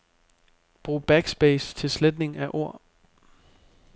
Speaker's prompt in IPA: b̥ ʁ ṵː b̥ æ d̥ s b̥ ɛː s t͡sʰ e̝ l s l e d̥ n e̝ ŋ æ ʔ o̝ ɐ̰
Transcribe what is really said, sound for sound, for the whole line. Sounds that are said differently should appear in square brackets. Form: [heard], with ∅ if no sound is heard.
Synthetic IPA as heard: b̥ ʁ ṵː b̥ æ [ɡ̥] s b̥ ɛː s t͡sʰ e̝ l s l e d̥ n e̝ ŋ æ ʔ o̝ ɐ̰